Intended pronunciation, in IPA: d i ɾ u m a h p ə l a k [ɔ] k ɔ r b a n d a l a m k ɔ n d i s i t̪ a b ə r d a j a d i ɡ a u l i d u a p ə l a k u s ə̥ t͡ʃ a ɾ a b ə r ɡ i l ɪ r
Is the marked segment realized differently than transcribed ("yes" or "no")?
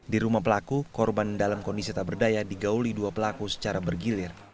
yes